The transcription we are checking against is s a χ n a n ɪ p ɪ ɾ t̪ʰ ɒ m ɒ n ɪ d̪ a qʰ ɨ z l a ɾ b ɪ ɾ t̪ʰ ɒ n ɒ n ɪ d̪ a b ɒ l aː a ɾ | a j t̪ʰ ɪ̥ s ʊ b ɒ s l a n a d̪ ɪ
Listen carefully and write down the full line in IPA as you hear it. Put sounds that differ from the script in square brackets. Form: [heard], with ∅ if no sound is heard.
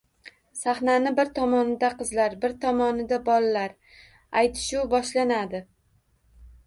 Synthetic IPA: s a χ n a n ɪ [b] ɪ ɾ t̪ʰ ɒ m ɒ n ɪ d̪ a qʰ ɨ z l a ɾ b ɪ ɾ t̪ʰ ɒ [m] ɒ n ɪ d̪ a b ɒ l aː a ɾ | a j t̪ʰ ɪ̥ [ʃ] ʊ b ɒ [ʃ] l a n a d̪ ɪ